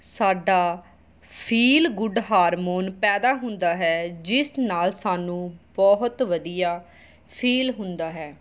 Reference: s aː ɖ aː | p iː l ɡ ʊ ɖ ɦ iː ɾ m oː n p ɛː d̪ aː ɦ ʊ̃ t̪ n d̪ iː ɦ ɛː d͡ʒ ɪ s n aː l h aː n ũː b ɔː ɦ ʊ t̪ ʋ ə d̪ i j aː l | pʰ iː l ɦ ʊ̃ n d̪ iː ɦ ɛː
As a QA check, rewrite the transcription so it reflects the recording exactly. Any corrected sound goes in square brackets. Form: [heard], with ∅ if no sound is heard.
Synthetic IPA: s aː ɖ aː | [pʰ] iː l ɡ ʊ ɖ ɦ [aː] ɾ m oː n p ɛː d̪ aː ɦ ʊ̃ [∅] n d̪ [aː] ɦ ɛː d͡ʒ ɪ s n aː l [s] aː n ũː b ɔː ɦ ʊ t̪ ʋ ə d̪ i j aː [∅] | pʰ iː l ɦ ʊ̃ n d̪ [aː] ɦ ɛː